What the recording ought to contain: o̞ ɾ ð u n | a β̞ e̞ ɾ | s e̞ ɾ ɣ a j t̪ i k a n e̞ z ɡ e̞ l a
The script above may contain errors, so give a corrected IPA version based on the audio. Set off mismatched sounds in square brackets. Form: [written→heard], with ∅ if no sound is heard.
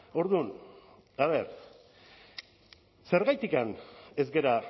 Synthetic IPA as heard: o̞ ɾ ð u n | a β̞ e̞ ɾ | s e̞ ɾ ɣ a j t̪ i k a n e̞ z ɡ e̞ [l→ɾ] a